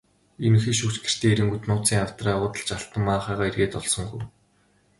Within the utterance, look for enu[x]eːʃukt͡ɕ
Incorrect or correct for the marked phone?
correct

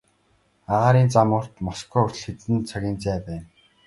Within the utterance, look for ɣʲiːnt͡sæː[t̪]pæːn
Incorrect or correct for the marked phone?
incorrect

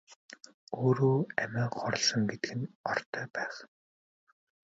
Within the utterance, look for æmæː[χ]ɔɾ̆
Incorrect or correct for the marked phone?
correct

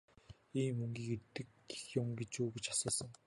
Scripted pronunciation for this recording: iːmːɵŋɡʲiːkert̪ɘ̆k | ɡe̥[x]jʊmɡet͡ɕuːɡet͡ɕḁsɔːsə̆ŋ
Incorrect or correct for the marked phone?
correct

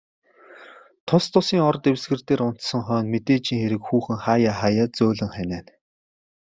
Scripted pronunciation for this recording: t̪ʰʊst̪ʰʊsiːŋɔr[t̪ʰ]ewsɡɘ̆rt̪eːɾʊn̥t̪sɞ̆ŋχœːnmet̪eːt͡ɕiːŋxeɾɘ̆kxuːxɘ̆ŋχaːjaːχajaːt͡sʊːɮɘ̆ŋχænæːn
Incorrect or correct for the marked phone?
incorrect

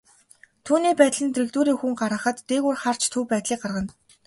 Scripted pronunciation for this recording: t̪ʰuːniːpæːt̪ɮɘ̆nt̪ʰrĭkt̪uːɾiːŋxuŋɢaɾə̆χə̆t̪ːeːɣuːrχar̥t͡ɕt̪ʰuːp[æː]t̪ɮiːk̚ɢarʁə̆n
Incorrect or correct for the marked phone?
correct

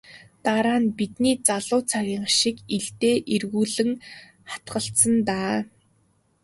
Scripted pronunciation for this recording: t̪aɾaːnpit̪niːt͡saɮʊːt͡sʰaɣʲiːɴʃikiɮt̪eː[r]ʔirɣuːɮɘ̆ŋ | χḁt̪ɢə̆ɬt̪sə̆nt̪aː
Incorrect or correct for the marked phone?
incorrect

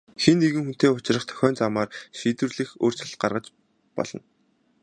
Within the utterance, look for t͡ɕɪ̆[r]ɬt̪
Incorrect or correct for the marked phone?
incorrect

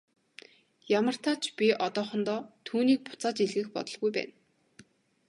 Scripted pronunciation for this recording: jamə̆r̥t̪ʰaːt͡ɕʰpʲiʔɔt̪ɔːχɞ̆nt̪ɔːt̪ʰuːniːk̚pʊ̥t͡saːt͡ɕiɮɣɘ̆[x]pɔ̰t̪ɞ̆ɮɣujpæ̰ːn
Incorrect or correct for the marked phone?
correct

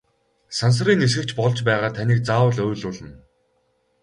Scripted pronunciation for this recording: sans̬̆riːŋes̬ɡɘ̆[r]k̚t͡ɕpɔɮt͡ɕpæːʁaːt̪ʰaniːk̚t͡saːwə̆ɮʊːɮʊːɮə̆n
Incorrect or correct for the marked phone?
incorrect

